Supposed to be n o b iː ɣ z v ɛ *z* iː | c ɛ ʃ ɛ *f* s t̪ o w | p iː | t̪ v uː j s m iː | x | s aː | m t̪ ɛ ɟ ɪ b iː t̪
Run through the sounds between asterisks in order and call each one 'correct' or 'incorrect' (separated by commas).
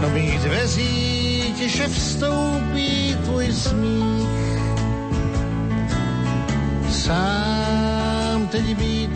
correct, correct